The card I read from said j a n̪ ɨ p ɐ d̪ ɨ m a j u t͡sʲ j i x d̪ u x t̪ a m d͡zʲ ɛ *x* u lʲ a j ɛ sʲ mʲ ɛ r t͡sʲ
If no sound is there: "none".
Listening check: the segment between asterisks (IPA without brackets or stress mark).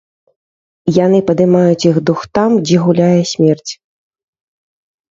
ɣ